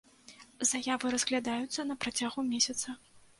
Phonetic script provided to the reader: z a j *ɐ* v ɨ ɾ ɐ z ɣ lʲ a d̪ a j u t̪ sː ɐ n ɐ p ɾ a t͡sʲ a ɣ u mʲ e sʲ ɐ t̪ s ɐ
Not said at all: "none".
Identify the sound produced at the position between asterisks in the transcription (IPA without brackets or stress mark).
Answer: a